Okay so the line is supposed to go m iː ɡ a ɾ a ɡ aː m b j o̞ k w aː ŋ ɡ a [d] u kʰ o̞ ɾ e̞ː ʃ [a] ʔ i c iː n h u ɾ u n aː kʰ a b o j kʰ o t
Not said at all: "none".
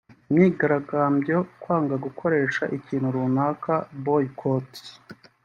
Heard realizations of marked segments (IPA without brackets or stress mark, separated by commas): ɡ, a